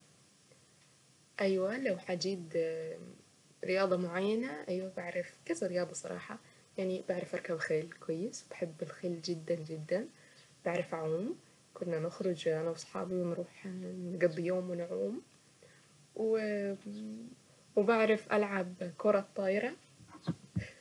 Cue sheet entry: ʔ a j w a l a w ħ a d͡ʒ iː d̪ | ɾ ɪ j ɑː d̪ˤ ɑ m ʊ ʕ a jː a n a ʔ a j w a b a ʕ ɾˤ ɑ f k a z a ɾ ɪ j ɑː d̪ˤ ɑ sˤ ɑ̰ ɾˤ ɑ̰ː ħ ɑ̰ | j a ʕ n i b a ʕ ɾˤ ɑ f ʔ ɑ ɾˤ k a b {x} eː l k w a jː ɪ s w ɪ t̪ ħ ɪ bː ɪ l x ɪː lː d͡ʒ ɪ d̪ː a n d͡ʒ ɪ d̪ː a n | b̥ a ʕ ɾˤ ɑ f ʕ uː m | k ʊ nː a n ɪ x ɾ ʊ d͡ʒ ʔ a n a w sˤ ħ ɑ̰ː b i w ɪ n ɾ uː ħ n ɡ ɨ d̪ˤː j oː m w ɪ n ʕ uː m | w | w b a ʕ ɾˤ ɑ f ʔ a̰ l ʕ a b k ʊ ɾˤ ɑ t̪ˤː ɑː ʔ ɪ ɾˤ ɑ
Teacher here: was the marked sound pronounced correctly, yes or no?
yes